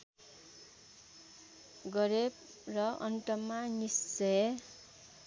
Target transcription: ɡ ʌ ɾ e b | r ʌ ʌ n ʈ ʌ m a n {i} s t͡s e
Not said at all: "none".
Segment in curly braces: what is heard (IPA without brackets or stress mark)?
i